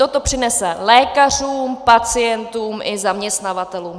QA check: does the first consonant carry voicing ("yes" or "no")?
no